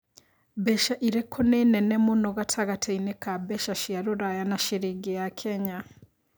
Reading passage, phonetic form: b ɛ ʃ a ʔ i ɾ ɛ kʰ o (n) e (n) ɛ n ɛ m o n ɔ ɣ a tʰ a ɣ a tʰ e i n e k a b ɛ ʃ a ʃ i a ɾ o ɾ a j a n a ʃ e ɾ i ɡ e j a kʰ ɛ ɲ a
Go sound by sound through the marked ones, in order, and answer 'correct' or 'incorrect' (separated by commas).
correct, correct